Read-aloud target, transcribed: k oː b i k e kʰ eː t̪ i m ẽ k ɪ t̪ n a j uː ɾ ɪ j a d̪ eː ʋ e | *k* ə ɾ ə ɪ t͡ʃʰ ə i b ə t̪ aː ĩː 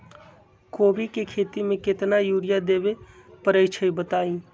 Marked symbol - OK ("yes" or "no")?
no